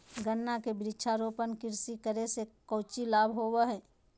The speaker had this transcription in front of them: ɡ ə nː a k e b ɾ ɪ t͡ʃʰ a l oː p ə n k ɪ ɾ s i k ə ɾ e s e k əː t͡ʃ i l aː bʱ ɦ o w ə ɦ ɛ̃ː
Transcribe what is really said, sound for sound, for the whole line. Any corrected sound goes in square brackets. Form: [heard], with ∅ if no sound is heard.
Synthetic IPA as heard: ɡ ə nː a k e b ɾ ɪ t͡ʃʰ a [ɾ] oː p ə n k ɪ ɾ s i k ə ɾ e s e k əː t͡ʃ i l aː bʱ ɦ o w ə ɦ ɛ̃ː